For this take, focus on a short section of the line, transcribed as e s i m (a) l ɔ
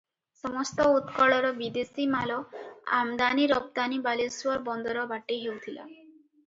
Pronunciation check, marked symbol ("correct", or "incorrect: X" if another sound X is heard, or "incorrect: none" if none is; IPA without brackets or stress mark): correct